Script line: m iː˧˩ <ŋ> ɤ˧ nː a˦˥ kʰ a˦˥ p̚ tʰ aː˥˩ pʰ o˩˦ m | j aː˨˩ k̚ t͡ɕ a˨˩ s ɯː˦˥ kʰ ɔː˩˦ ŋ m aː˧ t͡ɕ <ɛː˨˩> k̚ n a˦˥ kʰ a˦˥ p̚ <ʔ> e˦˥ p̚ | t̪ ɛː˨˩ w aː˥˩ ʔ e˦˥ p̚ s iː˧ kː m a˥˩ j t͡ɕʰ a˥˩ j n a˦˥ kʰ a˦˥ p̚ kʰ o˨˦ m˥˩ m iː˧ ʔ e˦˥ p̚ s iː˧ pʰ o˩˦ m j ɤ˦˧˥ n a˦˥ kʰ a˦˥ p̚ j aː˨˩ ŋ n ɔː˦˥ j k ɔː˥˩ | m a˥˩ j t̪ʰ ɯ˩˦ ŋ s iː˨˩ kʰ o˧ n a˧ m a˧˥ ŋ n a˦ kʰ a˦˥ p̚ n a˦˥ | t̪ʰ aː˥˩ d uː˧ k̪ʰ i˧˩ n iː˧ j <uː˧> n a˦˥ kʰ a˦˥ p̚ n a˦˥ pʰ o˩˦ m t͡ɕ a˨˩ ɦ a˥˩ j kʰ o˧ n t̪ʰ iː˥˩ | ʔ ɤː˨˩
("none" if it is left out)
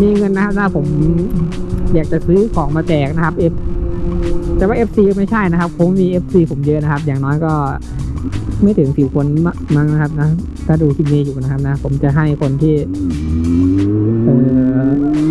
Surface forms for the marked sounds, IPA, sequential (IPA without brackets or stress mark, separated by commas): ŋ, ɛː˨˩, ʔ, uː˨˩